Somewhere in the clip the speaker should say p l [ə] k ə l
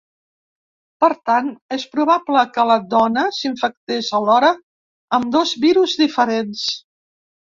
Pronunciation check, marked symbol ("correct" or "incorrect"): correct